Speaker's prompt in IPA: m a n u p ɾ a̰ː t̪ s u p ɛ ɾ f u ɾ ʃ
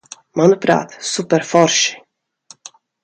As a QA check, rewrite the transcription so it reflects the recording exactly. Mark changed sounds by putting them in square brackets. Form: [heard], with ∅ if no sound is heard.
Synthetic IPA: m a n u p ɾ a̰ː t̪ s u p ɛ ɾ f [ɔ] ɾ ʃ